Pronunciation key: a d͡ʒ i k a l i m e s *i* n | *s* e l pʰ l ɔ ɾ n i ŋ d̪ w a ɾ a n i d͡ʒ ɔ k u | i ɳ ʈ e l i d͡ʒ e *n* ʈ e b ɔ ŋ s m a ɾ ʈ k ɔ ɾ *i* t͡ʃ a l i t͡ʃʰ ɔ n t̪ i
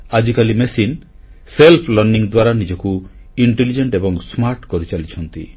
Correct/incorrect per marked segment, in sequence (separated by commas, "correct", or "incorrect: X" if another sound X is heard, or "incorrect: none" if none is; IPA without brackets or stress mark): correct, correct, incorrect: ɳ, correct